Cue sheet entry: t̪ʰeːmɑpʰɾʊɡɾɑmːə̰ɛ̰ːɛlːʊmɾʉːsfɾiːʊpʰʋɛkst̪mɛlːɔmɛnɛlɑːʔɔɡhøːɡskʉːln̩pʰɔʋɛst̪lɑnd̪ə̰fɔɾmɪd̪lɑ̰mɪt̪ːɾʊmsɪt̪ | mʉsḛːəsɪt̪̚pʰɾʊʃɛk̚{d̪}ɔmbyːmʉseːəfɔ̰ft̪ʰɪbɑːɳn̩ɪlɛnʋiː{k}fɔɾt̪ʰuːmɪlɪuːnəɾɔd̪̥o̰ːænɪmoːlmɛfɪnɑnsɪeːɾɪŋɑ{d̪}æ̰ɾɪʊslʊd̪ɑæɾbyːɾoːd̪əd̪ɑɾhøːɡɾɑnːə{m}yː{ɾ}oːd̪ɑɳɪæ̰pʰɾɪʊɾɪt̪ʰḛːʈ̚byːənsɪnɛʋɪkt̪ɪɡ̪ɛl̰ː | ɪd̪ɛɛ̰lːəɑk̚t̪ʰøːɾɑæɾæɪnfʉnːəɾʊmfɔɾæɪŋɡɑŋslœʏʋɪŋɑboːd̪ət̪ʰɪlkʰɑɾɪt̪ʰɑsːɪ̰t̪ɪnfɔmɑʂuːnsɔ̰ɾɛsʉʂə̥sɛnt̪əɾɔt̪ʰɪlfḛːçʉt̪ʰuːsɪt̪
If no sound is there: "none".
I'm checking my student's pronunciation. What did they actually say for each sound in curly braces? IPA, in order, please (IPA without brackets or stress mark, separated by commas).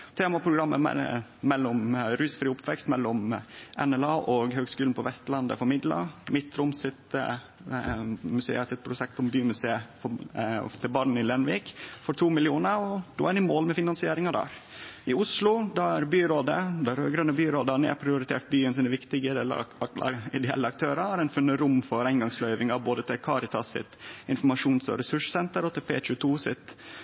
t̪, k, d̪, b, ɾ